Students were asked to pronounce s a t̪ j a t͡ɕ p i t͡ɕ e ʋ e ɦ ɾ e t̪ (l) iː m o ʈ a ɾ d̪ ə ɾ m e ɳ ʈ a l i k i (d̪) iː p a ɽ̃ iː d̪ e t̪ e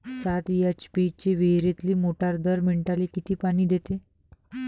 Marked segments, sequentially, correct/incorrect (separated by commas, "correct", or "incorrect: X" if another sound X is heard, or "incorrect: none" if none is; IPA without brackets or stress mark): correct, incorrect: t̪